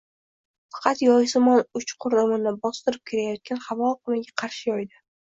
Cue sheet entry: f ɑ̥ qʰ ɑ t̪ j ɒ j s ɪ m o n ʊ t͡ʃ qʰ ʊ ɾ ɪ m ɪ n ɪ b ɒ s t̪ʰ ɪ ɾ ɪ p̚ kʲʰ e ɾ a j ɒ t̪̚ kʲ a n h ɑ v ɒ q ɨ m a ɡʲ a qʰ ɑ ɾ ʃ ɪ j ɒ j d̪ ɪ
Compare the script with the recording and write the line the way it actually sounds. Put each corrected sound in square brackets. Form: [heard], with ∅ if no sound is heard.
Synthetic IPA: f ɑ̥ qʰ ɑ t̪ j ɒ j s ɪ m [ɒ] n ʊ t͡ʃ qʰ ʊ ɾ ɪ m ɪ n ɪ b ɒ s [t̪] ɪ ɾ ɪ p̚ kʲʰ e ɾ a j ɒ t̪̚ kʲ a n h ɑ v ɒ q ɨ m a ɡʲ a qʰ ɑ ɾ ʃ ɪ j ɒ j d̪ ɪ